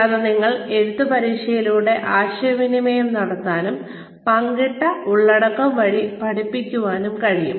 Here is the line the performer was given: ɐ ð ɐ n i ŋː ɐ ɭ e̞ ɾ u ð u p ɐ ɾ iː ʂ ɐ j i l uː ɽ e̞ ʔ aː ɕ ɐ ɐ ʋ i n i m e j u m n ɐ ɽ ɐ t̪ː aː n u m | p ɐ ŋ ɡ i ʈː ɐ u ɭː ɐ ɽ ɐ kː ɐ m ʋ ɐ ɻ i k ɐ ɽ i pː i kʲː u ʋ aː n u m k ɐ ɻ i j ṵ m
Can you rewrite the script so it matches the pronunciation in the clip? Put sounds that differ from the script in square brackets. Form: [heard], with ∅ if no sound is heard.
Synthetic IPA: ɐ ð ɐ n i ŋː ɐ ɭ e̞ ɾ u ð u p ɐ ɾ iː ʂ ɐ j i l uː ɽ e̞ ʔ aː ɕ ɐ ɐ ʋ i n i m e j u m n ɐ ɽ ɐ t̪ː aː n u m | p ɐ ŋ ɡ i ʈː ɐ u ɭː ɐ ɽ ɐ kː ɐ m ʋ ɐ ɻ i [p] ɐ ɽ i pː i kʲː u ʋ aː n u m k ɐ ɻ i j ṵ m